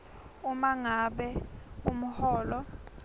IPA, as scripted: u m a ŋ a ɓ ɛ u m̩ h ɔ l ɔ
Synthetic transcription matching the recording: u m a ŋ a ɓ ɛ u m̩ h ɔː l ɔ